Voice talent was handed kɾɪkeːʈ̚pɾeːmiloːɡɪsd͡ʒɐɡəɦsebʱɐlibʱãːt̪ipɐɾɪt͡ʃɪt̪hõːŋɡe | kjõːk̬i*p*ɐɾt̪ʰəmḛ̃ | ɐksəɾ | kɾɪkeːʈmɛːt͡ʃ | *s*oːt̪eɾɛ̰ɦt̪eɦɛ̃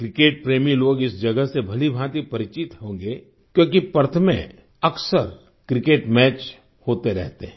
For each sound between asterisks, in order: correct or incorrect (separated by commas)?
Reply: correct, incorrect